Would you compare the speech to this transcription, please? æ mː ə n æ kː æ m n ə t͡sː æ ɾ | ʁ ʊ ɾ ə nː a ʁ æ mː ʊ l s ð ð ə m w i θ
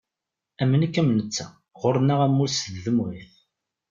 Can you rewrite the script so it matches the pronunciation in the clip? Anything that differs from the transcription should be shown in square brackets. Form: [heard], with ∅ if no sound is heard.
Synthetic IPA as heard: æ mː ə n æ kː æ m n ə t͡sː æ [∅] | ʁ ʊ ɾ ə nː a ʁ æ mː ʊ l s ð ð ə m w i θ